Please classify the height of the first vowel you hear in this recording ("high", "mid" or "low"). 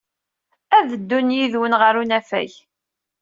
low